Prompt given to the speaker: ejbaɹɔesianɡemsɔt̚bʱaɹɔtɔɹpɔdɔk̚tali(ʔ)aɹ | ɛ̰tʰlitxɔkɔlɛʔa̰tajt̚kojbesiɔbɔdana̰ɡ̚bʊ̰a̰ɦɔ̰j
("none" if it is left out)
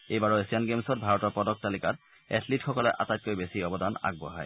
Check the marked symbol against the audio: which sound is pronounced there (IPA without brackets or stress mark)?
k